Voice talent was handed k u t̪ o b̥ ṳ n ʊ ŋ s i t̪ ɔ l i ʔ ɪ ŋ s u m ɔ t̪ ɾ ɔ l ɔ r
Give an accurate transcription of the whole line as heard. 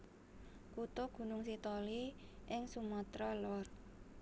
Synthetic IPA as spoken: k u t̪ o ɡ̥ ṳ n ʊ ŋ s i t̪ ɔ l i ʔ ɪ ŋ s u m ɔ t̪ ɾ ɔ l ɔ r